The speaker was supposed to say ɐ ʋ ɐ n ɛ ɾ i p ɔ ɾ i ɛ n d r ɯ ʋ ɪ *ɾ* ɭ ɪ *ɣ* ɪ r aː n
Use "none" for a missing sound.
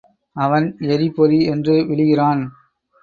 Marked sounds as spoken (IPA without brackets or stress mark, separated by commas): none, ɣ